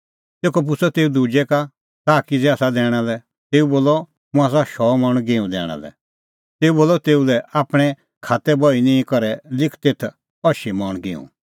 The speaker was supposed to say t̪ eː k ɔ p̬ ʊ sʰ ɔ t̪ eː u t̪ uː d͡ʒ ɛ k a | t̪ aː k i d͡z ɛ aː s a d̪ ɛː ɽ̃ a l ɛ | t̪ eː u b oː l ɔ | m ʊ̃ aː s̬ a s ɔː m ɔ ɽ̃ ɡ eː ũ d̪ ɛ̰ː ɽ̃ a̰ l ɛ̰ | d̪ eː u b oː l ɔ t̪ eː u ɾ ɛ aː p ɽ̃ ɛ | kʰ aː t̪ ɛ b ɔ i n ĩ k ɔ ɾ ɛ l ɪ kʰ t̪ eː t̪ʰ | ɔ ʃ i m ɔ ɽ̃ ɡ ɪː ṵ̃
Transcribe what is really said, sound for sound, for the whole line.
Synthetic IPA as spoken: t̪ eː k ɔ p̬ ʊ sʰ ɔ t̪ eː u d̪ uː d͡ʒ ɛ k a | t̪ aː k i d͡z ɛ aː s a d̪ ɛː ɽ̃ a l ɛ | t̪ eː u b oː l ɔ | m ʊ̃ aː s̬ a ʃ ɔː m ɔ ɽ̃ ɡ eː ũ d̪ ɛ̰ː ɽ̃ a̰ l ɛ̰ | t̪ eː u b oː l ɔ t̪ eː u l ɛ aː p ɽ̃ ɛ | kʰ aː t̪ ɛ b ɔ i n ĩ k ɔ ɾ ɛ l ɪ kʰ t̪ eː t̪ʰ | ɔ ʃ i m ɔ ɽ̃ ɡ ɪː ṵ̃